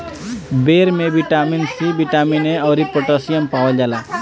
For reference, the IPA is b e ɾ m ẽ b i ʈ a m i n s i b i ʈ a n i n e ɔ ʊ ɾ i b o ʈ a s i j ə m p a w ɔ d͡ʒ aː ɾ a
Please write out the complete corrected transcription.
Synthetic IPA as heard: b e ɾ m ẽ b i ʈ a m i n s i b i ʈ a m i n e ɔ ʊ ɾ i p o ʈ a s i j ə m p a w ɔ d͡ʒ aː l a